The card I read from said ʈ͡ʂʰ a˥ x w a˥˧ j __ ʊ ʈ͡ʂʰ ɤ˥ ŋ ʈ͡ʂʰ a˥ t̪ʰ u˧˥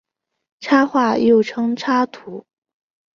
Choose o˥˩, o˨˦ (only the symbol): o˥˩